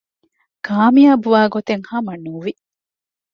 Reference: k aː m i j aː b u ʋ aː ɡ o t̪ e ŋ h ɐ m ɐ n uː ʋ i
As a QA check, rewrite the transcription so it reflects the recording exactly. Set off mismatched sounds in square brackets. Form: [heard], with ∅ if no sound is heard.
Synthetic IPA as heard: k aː m i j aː b u ʋ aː ɡ o t̪ e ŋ h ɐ m ɐ n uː ʋ i